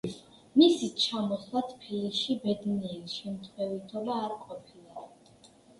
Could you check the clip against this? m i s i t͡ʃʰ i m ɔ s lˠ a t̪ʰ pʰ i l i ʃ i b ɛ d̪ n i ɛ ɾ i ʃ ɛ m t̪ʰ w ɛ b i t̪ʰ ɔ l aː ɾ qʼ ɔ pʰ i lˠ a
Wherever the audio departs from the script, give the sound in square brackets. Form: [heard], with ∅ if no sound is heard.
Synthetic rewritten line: m i s i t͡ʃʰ [a] m ɔ s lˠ a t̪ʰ pʰ i l i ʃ i b ɛ d̪ n i ɛ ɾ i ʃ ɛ m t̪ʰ w ɛ [v] i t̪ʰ ɔ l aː ɾ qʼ ɔ pʰ i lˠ a